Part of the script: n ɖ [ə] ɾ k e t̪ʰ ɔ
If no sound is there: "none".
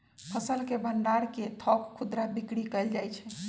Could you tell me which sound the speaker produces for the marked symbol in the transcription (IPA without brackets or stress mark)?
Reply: a